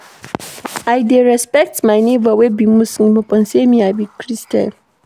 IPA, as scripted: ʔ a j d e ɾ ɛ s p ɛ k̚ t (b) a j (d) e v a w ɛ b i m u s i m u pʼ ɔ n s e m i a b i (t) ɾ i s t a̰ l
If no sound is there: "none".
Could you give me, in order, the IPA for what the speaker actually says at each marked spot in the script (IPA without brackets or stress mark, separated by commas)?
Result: m, n, k